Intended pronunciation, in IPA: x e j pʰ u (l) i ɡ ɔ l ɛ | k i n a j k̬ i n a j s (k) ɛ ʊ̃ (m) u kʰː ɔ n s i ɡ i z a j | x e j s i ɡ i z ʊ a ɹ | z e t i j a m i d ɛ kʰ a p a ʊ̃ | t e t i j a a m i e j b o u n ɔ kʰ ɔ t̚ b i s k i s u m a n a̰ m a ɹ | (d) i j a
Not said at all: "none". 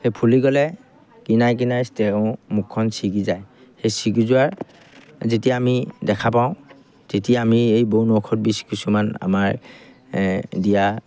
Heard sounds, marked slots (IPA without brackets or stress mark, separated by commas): l, t, m, d